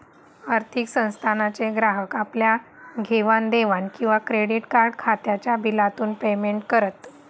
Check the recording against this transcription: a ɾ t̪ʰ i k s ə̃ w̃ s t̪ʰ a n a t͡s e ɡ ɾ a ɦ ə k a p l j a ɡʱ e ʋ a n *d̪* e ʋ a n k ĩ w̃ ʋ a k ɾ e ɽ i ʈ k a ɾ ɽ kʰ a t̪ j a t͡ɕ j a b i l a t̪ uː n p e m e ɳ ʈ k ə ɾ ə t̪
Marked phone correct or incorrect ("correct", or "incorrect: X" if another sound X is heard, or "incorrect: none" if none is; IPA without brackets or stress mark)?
correct